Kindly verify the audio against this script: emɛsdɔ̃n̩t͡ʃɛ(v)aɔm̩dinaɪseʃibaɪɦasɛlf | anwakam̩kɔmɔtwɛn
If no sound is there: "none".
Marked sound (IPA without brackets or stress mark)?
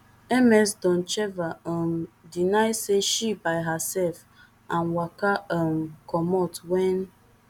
v